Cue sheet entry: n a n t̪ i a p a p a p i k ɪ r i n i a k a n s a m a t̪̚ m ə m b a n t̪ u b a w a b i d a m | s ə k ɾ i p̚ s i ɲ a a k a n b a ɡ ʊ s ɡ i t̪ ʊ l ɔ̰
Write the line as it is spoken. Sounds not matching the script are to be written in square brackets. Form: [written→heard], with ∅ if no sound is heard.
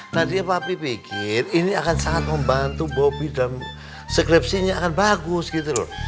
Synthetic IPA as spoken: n a n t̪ i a p a p [a→i] p i k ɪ r i n i a k a n s a [m→ŋ] a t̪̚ m ə m b a n t̪ u b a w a b i d a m | s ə k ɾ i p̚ s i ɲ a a k a n b a ɡ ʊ s ɡ i t̪ [ʊ→u] l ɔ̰